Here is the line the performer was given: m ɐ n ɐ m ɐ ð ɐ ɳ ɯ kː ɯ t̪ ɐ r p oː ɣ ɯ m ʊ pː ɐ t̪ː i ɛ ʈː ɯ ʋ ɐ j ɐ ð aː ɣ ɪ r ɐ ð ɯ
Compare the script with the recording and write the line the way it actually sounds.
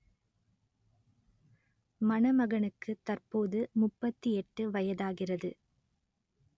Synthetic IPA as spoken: m ɐ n ɐ m ɐ ɣ ɐ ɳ ɯ kː ɯ t̪ ɐ r p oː ð ɯ m ʊ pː ɐ t̪ː i ɛ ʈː ɯ ʋ ɐ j ɐ ð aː ɣ ɪ r ɐ ð ɯ

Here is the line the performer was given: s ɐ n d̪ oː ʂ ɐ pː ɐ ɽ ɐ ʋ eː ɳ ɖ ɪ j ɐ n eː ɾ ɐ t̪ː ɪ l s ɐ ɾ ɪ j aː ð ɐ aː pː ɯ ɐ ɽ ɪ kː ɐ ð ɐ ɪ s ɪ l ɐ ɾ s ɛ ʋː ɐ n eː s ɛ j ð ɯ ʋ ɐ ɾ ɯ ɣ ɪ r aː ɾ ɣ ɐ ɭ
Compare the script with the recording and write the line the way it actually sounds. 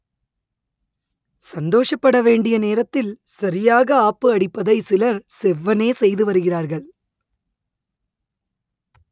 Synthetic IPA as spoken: s ɐ n d̪ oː ʂ ɐ pː ɐ ɽ ɐ ʋ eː ɳ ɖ ɪ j ɐ n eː ɾ ɐ t̪ː ɪ l s ɐ ɾ ɪ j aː ɣ ɐ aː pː ɯ ɐ ɽ ɪ pː ɐ ð ɐ ɪ s ɪ l ɐ ɾ s ɛ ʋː ɐ n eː s ɛ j ð ɯ ʋ ɐ ɾ ɯ ɣ ɪ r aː ɾ ɣ ɐ ɭ

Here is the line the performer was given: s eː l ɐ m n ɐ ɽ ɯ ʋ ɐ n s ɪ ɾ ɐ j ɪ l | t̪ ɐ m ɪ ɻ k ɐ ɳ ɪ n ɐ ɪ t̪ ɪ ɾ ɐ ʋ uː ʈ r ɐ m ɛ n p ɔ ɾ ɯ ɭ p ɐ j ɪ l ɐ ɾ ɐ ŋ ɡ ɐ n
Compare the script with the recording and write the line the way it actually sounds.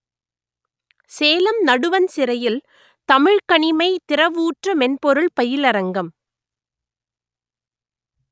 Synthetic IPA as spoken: s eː l ɐ m n ɐ ɽ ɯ ʋ ɐ n s ɪ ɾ ɐ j ɪ l | t̪ ɐ m ɪ ɻ k ɐ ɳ ɪ m ɐ ɪ t̪ ɪ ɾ ɐ ʋ uː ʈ r ɐ m ɛ n p ɔ ɾ ɯ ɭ p ɐ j ɪ l ɐ ɾ ɐ ŋ ɡ ɐ m

